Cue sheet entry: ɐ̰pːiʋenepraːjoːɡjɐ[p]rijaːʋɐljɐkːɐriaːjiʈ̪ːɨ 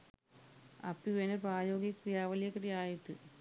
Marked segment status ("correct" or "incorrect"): incorrect